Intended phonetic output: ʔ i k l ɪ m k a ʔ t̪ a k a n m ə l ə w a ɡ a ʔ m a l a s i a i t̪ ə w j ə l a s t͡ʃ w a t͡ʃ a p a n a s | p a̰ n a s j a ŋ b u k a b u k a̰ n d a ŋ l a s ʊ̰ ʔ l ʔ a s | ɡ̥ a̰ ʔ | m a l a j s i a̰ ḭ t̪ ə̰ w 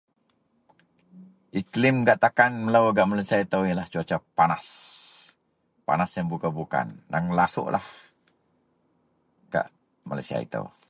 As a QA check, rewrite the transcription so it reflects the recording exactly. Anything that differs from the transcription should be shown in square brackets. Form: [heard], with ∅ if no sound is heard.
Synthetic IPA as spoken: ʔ i k l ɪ m [ɡ] a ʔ t̪ a k a n m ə l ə w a ɡ a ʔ m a l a s i a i t̪ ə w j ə l a [h] t͡ʃ [u] a t͡ʃ a p a n a s | p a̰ n a s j a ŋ b u k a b u k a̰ n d a ŋ l a s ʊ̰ ʔ l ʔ a [h] | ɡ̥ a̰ ʔ | m a l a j s i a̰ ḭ t̪ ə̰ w